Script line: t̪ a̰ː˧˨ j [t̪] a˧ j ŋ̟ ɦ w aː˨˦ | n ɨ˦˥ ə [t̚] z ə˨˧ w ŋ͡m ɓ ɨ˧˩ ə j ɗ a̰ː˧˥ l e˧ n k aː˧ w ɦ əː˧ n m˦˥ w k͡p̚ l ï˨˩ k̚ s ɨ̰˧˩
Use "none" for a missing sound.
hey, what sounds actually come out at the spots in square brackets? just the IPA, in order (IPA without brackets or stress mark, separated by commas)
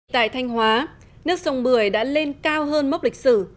t̪ʰ, k̚